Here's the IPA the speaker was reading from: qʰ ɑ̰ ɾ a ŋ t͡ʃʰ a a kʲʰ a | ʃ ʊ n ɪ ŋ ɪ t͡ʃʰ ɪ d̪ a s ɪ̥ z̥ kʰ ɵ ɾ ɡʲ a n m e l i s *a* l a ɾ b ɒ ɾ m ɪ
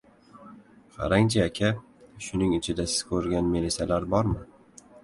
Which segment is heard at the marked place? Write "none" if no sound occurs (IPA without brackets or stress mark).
a